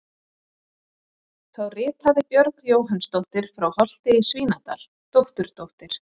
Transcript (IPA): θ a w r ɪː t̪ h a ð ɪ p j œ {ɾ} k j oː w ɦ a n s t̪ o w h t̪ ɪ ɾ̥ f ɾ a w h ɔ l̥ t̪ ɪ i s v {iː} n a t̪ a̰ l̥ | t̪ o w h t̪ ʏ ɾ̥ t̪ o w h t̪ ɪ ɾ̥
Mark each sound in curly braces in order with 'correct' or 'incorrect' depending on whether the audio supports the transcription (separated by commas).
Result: correct, correct